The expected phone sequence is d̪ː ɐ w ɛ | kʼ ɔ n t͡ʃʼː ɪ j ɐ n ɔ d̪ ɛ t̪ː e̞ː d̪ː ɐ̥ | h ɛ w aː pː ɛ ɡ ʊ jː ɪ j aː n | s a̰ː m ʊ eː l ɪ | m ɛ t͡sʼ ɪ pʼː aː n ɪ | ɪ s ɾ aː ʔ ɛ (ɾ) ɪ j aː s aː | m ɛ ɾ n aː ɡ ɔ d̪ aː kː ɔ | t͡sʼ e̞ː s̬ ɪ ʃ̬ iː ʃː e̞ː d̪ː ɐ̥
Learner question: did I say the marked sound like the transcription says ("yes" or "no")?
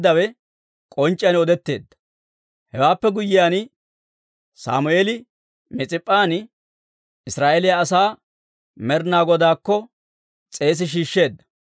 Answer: no